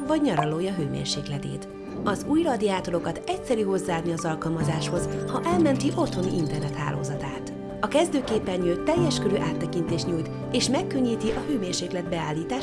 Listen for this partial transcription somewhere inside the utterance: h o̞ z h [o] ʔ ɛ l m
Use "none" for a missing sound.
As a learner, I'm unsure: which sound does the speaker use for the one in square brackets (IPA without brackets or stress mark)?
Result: ɒ